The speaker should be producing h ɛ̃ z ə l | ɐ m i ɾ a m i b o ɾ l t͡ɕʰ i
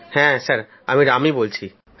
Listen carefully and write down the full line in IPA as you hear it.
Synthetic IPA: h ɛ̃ s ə ɾ | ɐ m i ɾ a m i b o l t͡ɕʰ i